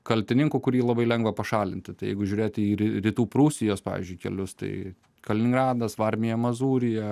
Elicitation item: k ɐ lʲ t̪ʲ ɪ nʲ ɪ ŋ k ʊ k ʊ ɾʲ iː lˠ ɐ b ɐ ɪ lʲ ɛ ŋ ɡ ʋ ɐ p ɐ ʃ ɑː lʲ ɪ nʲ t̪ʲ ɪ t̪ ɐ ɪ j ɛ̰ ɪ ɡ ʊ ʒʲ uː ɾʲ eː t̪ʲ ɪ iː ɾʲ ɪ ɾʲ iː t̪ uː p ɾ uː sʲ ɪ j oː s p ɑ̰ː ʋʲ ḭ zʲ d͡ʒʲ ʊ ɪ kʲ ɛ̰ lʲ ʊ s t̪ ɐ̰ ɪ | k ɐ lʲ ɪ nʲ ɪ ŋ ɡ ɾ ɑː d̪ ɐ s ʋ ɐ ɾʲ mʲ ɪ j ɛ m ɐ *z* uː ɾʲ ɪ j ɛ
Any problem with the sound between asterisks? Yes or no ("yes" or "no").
no